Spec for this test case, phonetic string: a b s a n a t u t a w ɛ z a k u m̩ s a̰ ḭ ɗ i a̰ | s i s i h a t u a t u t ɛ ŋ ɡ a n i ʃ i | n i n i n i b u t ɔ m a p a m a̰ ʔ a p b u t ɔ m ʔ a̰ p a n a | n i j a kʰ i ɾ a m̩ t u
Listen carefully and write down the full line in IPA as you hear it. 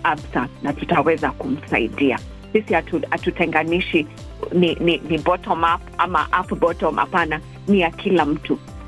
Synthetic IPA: a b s a n a t u t a w ɛ z a k u m̩ s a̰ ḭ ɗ i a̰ | s i s i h a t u a t u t ɛ ŋ ɡ a n i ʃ i | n i n i n i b ɔ t ɔ m a p a m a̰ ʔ a p b ɔ t ɔ m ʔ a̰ p a n a | n i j a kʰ i l a m̩ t u